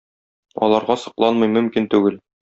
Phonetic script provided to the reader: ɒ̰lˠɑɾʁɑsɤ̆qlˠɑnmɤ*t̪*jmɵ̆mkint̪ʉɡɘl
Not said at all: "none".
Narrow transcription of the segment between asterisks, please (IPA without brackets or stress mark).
none